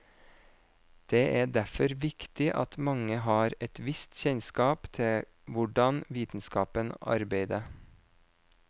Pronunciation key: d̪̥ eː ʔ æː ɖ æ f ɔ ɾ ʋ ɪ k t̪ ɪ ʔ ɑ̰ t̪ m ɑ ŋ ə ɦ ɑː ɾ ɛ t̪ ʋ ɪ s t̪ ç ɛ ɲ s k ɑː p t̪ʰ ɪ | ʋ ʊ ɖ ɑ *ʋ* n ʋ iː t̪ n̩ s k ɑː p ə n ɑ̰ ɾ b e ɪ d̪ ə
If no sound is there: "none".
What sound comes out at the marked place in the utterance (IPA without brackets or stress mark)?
none